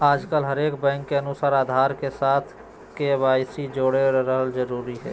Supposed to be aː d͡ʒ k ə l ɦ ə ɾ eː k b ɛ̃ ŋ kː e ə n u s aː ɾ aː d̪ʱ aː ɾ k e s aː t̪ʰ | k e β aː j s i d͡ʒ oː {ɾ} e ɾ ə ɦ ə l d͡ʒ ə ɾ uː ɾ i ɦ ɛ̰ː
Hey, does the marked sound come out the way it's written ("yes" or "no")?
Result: no